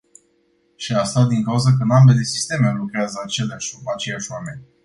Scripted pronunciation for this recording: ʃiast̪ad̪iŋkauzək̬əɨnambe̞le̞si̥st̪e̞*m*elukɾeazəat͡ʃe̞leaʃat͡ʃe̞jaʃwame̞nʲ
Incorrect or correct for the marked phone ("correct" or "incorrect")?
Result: correct